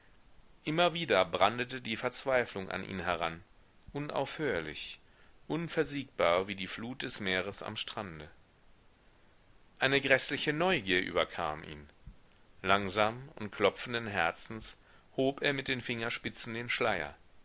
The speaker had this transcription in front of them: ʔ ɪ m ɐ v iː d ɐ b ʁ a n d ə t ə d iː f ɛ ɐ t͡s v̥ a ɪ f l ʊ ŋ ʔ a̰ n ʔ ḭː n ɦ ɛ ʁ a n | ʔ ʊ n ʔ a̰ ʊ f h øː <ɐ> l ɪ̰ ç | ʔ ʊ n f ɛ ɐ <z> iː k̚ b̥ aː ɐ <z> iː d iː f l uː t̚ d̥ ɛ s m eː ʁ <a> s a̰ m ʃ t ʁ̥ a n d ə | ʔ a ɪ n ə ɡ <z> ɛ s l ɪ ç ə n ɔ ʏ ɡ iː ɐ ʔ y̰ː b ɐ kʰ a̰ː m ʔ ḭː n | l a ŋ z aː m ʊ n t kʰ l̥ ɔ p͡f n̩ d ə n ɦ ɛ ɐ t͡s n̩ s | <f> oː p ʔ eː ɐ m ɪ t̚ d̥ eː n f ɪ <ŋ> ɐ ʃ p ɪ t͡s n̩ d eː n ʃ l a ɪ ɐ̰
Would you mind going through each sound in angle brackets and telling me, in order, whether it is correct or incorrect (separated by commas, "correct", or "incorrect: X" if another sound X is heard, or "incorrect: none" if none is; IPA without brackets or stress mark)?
correct, correct, incorrect: v, incorrect: ə, incorrect: ʁ, incorrect: h, correct